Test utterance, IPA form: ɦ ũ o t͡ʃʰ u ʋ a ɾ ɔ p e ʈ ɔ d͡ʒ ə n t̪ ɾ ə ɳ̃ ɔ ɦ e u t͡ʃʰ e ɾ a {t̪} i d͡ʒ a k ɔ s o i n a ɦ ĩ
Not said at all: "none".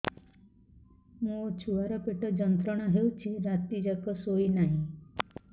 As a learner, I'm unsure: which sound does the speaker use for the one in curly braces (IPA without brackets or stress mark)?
t̪